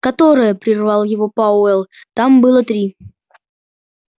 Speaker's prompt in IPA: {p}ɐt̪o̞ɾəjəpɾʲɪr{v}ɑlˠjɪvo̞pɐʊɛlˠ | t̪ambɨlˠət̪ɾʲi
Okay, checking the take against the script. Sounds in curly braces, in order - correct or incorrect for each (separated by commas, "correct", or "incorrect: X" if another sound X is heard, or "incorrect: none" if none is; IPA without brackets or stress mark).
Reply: incorrect: k, correct